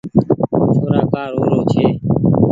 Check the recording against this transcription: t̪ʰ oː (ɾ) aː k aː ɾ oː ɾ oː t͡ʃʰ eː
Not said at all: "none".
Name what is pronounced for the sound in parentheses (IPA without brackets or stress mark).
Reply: ɾ